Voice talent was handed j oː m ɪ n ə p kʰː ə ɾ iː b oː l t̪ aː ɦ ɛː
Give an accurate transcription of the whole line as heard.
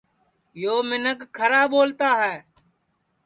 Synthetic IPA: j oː m ɪ n ə k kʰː ə ɾ aː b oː l t̪ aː ɦ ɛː